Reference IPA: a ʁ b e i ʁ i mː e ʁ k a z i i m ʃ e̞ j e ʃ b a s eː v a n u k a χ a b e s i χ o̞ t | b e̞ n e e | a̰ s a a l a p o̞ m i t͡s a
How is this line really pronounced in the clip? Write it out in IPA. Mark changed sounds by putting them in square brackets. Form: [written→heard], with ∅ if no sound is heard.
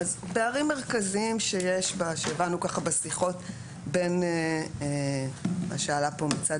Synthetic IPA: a [ʁ→z] b e [i→a] ʁ i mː e ʁ k a z i i m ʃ e̞ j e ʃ b a [s→ʃ] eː v a n u k a χ a b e s i χ o̞ t | b e̞ n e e | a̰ [s→ʃ] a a l a p o̞ m i t͡s a